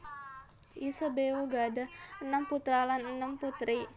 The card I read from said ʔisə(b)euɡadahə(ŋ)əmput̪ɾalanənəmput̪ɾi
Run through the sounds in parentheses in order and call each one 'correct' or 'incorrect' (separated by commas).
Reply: correct, incorrect